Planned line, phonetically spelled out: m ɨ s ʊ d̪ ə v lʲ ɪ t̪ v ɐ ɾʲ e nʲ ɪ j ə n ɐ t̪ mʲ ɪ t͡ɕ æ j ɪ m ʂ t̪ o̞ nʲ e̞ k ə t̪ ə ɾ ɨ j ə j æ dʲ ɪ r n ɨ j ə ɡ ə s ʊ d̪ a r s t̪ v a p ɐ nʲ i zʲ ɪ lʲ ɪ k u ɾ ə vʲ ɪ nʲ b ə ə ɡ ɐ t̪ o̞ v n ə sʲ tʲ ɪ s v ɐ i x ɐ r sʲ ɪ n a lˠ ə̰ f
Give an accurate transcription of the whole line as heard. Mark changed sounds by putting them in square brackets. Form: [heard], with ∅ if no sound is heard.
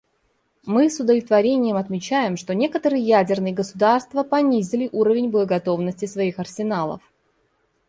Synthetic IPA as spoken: m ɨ s ʊ d̪ ə v lʲ ɪ t̪ v ɐ ɾʲ e nʲ ɪ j ə [m] ɐ t̪ mʲ ɪ t͡ɕ æ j ɪ m ʂ t̪ o̞ nʲ e̞ k ə t̪ ə ɾ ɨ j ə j æ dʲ ɪ r n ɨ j ə ɡ ə s ʊ d̪ a r s t̪ v [ə] p ɐ nʲ i zʲ ɪ lʲ ɪ [ʔ] u ɾ ə vʲ ɪ nʲ b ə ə ɡ ɐ t̪ o̞ v n ə sʲ tʲ ɪ s v ɐ i x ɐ r sʲ ɪ n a lˠ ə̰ f